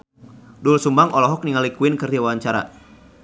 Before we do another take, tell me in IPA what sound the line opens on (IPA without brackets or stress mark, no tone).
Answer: d